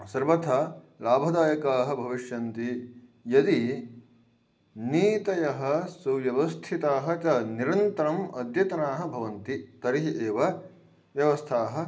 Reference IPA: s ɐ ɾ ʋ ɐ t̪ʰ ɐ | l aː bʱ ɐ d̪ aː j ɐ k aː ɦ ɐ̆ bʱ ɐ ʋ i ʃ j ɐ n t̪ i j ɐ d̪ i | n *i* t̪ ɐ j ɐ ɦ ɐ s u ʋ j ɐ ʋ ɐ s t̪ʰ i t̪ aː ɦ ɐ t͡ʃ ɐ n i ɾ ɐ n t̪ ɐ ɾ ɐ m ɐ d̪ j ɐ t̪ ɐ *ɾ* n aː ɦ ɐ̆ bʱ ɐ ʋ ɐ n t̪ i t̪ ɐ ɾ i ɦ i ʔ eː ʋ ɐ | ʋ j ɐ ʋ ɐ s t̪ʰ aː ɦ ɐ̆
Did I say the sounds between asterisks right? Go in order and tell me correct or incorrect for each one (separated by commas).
incorrect, incorrect